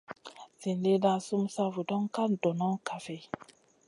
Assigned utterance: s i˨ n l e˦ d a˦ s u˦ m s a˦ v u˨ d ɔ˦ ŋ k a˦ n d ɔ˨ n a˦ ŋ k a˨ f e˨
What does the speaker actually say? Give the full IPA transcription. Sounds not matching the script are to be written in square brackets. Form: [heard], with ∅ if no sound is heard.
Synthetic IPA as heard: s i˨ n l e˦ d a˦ s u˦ m s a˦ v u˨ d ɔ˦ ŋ k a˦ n d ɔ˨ n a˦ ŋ k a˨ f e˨